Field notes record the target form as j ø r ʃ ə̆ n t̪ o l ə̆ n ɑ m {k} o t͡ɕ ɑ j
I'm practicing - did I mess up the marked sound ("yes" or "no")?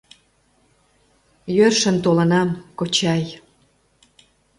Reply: no